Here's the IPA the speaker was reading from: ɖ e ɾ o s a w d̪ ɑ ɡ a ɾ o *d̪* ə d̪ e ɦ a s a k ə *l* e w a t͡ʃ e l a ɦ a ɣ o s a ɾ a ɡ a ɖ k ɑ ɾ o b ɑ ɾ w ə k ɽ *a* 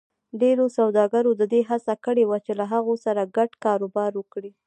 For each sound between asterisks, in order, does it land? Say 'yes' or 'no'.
yes, no, no

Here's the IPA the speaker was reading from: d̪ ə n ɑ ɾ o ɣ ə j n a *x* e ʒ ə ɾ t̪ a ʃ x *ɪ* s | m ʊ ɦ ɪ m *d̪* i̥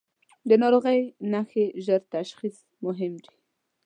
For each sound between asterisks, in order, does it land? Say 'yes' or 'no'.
yes, no, yes

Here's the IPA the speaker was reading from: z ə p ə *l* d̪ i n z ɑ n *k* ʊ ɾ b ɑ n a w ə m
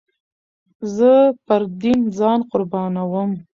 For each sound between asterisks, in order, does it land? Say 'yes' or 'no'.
no, no

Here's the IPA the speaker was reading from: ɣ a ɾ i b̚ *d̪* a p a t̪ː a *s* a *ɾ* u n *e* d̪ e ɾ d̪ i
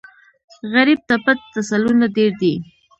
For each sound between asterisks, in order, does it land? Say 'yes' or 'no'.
no, yes, no, no

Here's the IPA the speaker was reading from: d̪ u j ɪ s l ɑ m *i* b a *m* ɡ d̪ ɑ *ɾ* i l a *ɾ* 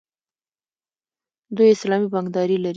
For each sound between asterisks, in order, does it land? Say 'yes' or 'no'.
yes, no, yes, yes

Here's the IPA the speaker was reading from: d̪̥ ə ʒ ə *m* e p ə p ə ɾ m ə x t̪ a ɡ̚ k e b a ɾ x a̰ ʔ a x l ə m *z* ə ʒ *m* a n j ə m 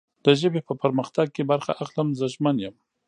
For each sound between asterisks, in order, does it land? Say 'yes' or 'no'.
no, yes, yes

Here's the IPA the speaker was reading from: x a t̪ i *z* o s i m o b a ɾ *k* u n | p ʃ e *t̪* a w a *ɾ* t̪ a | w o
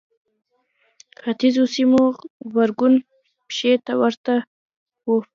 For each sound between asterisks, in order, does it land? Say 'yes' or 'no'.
yes, no, yes, yes

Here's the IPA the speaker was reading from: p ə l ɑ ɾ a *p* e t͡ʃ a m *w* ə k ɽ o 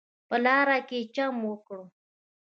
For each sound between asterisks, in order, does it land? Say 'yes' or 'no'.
no, yes

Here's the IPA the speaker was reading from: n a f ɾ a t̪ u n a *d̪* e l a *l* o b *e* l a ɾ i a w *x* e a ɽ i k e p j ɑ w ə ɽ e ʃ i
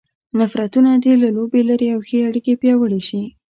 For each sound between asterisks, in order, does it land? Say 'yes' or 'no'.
yes, yes, yes, yes

